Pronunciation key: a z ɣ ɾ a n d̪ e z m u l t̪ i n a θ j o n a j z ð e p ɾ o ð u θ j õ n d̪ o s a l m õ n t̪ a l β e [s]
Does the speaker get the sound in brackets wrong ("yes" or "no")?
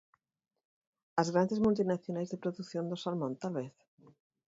yes